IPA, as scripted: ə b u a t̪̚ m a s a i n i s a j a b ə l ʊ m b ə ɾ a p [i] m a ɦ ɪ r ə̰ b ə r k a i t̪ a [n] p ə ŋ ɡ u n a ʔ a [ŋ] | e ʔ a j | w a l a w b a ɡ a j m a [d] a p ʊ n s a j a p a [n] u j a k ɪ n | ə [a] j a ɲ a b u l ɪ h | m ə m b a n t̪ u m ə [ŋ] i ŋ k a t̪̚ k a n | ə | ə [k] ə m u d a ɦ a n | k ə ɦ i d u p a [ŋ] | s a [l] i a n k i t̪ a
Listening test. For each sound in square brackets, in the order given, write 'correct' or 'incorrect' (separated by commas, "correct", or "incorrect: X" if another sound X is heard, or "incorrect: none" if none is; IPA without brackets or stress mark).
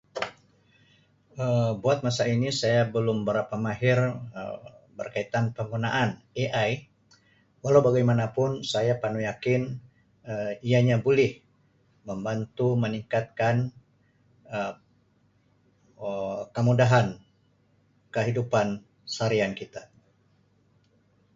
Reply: incorrect: a, correct, incorrect: n, incorrect: n, correct, incorrect: i, incorrect: n, correct, incorrect: n, incorrect: ɾ